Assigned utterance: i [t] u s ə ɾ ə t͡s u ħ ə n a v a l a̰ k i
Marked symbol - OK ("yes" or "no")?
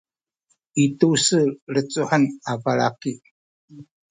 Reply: yes